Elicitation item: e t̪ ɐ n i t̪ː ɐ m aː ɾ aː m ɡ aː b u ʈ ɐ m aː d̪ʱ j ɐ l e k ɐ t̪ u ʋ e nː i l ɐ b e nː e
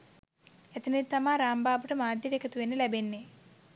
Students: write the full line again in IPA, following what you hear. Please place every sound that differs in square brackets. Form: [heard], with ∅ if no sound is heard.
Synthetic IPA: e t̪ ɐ n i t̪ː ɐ m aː ɾ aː m [b] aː b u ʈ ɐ m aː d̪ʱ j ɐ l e k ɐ t̪ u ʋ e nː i l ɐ b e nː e